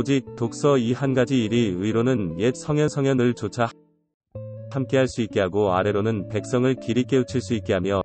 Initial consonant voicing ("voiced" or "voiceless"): voiced